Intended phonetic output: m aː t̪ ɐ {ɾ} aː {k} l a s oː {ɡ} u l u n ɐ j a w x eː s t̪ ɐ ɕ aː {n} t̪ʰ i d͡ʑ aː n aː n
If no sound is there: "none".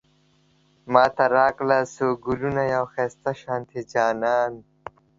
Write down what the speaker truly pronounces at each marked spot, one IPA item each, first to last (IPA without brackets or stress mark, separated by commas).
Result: ɾ, k, ɡ, n